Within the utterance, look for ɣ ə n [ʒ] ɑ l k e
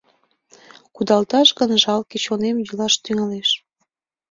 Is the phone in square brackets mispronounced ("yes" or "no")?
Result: no